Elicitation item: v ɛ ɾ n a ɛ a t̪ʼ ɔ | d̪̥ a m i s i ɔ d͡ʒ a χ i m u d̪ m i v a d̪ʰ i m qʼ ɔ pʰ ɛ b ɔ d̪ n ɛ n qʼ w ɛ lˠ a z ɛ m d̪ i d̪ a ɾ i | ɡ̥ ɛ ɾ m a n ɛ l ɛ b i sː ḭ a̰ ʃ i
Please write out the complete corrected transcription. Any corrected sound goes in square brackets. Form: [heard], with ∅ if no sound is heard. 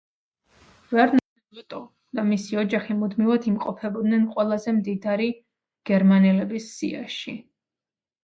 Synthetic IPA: v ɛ ɾ n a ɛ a t̪ʼ ɔ | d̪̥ a m i s i ɔ d͡ʒ a χ i m u d̪ m i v a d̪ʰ i m qʼ ɔ pʰ ɛ b ɔ d̪ n ɛ n qʼ w ɛ lˠ a z ɛ m d̪ i d̪ a ɾ i | ɡ̥ ɛ ɾ m a n ɛ l ɛ b i sː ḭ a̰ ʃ i

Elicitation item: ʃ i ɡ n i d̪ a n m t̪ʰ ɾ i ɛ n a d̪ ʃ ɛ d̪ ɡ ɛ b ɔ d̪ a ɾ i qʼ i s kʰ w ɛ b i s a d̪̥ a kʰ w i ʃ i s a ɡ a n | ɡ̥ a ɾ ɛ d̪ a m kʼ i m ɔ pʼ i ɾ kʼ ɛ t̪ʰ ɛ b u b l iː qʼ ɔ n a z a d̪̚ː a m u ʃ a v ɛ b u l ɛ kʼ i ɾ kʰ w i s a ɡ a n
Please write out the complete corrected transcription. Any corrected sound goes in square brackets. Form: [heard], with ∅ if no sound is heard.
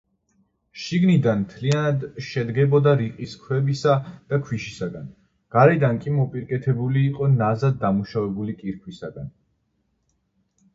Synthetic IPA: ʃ i ɡ n i d̪ a n m t̪ʰ [l] i [a] n a d̪ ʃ ɛ d̪ ɡ ɛ b ɔ d̪ a ɾ i qʼ i s kʰ w ɛ b i s a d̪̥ a kʰ w i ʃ i s a ɡ a n | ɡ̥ a ɾ ɛ d̪ a [n] kʼ i m ɔ pʼ i ɾ kʼ ɛ t̪ʰ ɛ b u [∅] l iː qʼ ɔ n a z a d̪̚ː a m u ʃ a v ɛ b u l [i] kʼ i ɾ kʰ w i s a ɡ a n

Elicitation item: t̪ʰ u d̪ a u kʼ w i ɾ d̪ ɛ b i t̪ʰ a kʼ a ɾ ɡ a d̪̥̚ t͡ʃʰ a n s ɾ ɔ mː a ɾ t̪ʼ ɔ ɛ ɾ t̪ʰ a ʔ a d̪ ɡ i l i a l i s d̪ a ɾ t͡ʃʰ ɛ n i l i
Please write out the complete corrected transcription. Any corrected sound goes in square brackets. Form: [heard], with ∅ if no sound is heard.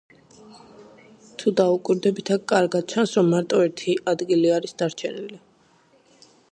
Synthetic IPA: t̪ʰ u d̪ a u kʼ w i ɾ d̪ ɛ b i t̪ʰ a kʼ a ɾ ɡ a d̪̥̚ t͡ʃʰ a n s ɾ ɔ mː a ɾ t̪ʼ ɔ ɛ ɾ t̪ʰ [i] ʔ a d̪ ɡ i l i a [ɾ] i s d̪ a ɾ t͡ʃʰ ɛ n i l i

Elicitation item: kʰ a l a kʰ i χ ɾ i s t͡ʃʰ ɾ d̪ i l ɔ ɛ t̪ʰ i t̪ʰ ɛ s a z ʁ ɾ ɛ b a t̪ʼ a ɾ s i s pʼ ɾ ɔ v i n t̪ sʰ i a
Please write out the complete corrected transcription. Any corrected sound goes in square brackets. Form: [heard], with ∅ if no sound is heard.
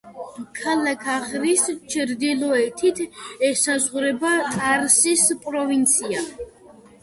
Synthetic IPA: kʰ a l a kʰ [a] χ ɾ i s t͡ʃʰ ɾ d̪ i l ɔ ɛ t̪ʰ i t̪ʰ ɛ s a z ʁ ɾ ɛ b a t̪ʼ a ɾ s i s pʼ ɾ ɔ v i n t̪ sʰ i a

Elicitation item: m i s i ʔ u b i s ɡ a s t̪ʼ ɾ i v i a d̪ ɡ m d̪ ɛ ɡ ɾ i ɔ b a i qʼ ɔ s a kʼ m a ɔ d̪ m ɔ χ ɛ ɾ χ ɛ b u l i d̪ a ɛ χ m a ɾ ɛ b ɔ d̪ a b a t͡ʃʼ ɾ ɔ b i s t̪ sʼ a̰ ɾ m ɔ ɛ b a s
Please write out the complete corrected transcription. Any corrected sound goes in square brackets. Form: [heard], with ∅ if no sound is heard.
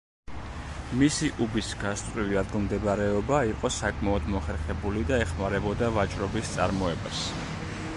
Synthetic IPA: m i s i ʔ u b i s ɡ a s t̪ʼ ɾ i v i a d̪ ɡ m d̪ ɛ [b] ɾ [ɛ] ɔ b a i qʼ ɔ s a kʼ m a ɔ d̪ m ɔ χ ɛ ɾ χ ɛ b u l i d̪ a ɛ χ m a ɾ ɛ b ɔ d̪ a [v] a t͡ʃʼ ɾ ɔ b i s t̪ sʼ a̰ ɾ m ɔ ɛ b a s

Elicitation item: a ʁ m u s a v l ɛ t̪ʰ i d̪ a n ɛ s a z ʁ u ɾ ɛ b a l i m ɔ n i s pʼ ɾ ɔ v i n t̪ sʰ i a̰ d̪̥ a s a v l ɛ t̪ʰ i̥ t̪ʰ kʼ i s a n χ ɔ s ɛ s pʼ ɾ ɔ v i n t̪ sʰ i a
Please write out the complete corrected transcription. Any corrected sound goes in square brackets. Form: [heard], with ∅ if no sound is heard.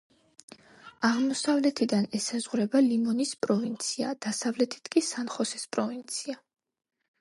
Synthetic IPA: a ʁ m [ɔ] s a v l ɛ t̪ʰ i d̪ a n ɛ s a z ʁ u ɾ ɛ b a l i m ɔ n i s pʼ ɾ ɔ v i n t̪ sʰ i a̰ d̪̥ a s a v l ɛ t̪ʰ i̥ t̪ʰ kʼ i s a n χ ɔ s ɛ s pʼ ɾ ɔ v i n t̪ sʰ i a

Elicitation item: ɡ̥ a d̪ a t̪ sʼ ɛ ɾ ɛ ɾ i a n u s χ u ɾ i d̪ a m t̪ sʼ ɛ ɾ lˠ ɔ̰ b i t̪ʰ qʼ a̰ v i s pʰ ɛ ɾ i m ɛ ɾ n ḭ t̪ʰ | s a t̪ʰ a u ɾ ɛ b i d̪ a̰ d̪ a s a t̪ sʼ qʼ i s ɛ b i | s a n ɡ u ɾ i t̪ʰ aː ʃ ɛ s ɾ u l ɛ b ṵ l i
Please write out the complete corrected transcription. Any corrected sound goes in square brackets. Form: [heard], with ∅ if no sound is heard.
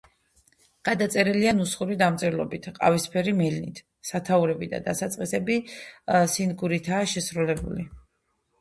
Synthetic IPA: ɡ̥ a d̪ a t̪ sʼ ɛ ɾ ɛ [l] i a n u s χ u ɾ i d̪ a m t̪ sʼ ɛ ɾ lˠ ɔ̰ b i t̪ʰ qʼ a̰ v i s pʰ ɛ ɾ i m ɛ [l] n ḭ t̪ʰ | s a t̪ʰ a u ɾ ɛ b i d̪ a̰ d̪ a s a t̪ sʼ qʼ i s ɛ b i | s [i] n ɡ u ɾ i t̪ʰ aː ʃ ɛ s ɾ u l ɛ b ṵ l i

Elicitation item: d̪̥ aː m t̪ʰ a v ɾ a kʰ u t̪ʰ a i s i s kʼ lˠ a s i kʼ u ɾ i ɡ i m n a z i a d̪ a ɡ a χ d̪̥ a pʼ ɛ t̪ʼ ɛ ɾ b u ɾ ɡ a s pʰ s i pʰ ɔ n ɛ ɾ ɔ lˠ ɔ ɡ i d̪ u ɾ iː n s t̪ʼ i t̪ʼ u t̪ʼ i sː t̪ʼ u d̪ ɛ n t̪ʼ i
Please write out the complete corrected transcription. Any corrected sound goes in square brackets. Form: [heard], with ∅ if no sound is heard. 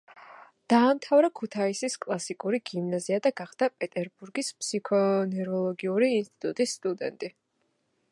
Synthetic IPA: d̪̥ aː m t̪ʰ a v ɾ a kʰ u t̪ʰ a i s i s kʼ lˠ a s i kʼ u ɾ i ɡ i m n a z i a d̪ a ɡ a χ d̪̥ a pʼ ɛ t̪ʼ ɛ ɾ b u ɾ ɡ [i] s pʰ s i [kʰ] ɔ n ɛ ɾ ɔ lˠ ɔ ɡ i [∅] u ɾ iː n s t̪ʼ i t̪ʼ u t̪ʼ i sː t̪ʼ u d̪ ɛ n t̪ʼ i

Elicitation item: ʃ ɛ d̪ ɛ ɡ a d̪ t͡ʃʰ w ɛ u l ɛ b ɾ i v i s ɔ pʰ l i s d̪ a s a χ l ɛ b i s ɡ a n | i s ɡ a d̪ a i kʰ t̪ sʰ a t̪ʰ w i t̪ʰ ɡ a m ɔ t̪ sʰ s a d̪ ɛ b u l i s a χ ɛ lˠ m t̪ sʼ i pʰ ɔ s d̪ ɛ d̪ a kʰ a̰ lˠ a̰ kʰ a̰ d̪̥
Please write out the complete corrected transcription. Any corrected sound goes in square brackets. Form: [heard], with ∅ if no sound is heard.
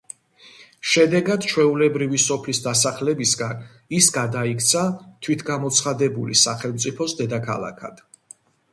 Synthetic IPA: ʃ ɛ d̪ ɛ ɡ a d̪ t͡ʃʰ w ɛ u l ɛ b ɾ i v i s ɔ pʰ l i s d̪ a s a χ l ɛ b i s ɡ a n | i s ɡ a d̪ a i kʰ t̪ sʰ a t̪ʰ w i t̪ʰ ɡ a m ɔ t̪ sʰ [χ] a d̪ ɛ b u l i s a χ ɛ lˠ m t̪ sʼ i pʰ ɔ s d̪ ɛ d̪ a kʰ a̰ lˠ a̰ kʰ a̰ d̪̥

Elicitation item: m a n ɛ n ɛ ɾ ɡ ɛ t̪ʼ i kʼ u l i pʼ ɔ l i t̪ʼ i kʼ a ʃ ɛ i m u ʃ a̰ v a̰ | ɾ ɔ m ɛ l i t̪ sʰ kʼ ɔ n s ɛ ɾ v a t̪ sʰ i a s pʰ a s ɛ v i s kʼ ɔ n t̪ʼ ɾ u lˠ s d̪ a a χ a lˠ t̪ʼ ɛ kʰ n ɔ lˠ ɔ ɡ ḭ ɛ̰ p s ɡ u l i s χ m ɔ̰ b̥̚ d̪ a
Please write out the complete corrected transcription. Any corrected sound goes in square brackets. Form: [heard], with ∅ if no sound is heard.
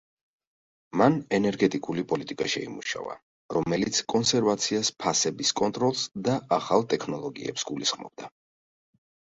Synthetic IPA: m a n ɛ n ɛ ɾ ɡ ɛ t̪ʼ i kʼ u l i pʼ ɔ l i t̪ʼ i kʼ a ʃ ɛ i m u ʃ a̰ v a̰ | ɾ ɔ m ɛ l i t̪ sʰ kʼ ɔ n s ɛ ɾ v a t̪ sʰ i a s pʰ a s ɛ [b] i s kʼ ɔ n t̪ʼ ɾ [ɔ] lˠ s d̪ a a χ a lˠ t̪ʼ ɛ kʰ n ɔ lˠ ɔ ɡ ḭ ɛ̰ p s ɡ u l i s χ m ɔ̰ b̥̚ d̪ a

